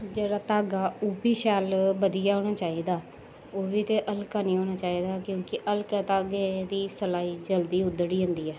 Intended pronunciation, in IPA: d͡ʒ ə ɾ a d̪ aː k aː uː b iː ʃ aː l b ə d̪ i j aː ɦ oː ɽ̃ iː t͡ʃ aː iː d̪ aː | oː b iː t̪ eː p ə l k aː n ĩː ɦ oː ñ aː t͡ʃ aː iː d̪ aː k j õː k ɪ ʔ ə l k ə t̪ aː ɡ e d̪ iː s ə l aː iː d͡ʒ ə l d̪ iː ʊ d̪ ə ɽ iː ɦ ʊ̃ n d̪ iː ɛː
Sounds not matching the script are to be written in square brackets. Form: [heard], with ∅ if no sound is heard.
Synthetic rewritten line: d͡ʒ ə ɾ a [t̪] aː [ɡ] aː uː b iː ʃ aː l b ə d̪ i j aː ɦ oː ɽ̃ [aː] t͡ʃ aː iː d̪ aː | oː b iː t̪ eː [ʔ] ə l k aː n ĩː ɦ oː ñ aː t͡ʃ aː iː d̪ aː k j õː k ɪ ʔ ə l k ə t̪ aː ɡ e d̪ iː s ə l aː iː d͡ʒ ə l d̪ iː ʊ d̪ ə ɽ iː ɦ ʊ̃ n d̪ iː ɛː